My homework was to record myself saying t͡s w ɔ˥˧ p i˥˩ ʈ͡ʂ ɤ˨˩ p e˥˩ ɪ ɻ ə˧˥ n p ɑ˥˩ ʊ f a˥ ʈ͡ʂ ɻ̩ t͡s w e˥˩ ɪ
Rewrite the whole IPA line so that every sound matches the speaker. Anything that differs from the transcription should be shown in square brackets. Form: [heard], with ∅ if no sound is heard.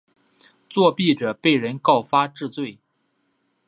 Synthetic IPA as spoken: t͡s w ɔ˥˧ p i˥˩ ʈ͡ʂ ɤ˨˩ p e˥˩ ɪ ɻ ə˧˥ n [k] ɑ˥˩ ʊ f a˥ ʈ͡ʂ ɻ̩ t͡s w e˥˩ ɪ